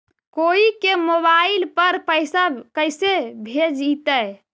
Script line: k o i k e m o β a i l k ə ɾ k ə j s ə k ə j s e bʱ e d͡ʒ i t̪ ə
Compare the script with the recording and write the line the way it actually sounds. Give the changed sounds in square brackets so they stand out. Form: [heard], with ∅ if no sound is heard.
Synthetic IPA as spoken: k o i k e m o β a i l [p] ə ɾ [p] ə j s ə k ə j s e bʱ e d͡ʒ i t̪ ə